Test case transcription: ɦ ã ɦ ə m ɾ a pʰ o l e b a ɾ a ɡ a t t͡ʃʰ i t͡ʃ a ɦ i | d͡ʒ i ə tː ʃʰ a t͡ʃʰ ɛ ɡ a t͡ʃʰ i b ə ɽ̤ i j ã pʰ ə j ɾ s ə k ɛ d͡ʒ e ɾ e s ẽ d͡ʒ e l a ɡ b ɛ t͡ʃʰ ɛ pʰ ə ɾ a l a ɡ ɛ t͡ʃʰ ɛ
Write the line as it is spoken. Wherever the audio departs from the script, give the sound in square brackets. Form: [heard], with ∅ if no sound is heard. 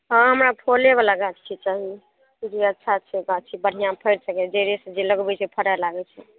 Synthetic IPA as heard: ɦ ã ɦ ə m ɾ a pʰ o l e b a [l] a ɡ a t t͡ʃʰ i t͡ʃ a ɦ i | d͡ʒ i ə tː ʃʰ a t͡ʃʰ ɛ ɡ a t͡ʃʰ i b ə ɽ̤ i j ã pʰ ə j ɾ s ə k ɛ d͡ʒ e ɾ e s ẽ d͡ʒ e l [ə] ɡ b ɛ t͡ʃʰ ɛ pʰ ə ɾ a l a ɡ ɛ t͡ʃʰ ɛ